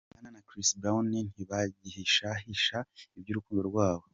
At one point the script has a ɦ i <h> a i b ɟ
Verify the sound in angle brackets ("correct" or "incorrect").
incorrect